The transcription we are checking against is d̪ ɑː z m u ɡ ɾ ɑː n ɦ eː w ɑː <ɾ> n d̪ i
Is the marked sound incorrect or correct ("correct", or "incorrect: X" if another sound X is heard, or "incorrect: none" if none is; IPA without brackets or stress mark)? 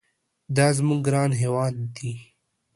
incorrect: none